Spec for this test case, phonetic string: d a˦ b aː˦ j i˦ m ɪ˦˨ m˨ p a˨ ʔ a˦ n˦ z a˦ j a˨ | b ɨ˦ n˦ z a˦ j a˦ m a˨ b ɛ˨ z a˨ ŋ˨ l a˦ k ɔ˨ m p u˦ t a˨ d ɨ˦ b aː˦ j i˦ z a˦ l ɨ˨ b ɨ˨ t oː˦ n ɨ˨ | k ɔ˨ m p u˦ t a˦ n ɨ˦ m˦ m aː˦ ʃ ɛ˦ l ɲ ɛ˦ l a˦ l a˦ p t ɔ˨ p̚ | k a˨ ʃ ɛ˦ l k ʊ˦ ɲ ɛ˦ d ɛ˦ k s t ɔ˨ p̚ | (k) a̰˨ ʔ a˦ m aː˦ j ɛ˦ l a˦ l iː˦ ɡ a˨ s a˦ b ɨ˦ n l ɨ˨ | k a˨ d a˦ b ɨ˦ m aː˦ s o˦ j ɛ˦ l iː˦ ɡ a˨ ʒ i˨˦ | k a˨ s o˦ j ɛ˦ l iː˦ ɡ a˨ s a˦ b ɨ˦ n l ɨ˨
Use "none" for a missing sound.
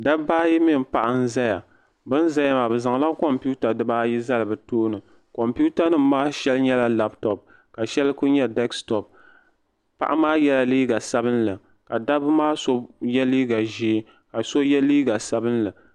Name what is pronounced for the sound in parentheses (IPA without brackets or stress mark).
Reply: p